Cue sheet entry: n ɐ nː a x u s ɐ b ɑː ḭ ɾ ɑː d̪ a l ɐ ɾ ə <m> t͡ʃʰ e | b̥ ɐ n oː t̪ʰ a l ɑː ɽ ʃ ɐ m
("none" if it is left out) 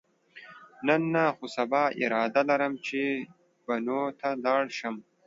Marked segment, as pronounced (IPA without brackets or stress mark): m